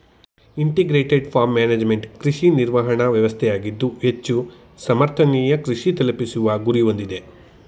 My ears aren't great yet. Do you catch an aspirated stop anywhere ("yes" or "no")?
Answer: yes